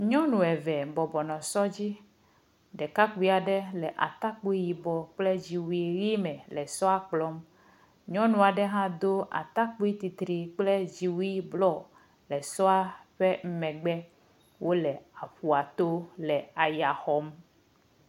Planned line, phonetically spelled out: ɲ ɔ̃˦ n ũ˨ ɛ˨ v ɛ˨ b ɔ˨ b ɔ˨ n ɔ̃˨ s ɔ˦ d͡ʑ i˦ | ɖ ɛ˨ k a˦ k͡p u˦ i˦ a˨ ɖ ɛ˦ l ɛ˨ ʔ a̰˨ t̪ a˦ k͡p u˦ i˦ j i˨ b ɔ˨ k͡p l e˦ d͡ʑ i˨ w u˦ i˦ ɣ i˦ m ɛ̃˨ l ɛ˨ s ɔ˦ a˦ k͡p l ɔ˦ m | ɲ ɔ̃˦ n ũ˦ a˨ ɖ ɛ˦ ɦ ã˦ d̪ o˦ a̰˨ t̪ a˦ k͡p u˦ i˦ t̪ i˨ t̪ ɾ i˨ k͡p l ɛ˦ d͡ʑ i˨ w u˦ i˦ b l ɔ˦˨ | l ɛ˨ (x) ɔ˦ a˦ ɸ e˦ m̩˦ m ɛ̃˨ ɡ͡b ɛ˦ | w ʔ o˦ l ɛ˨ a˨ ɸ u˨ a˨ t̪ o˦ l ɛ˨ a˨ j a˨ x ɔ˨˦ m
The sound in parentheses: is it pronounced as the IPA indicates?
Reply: no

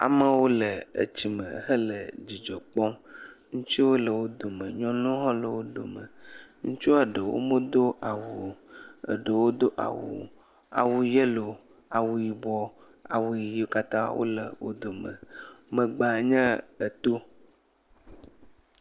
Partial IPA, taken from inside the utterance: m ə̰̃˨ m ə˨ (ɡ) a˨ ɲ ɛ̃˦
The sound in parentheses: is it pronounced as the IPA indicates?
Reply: no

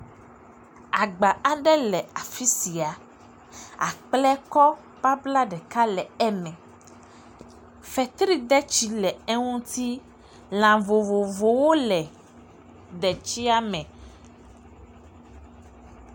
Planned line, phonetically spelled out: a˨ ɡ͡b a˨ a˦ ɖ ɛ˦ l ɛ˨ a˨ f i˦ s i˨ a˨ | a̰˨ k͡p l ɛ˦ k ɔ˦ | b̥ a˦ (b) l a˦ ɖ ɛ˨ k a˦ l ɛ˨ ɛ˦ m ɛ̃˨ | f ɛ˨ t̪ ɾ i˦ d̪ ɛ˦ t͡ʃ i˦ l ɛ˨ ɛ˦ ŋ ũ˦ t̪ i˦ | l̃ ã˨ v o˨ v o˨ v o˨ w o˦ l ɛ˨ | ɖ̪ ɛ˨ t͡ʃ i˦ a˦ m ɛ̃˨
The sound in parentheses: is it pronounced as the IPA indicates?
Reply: yes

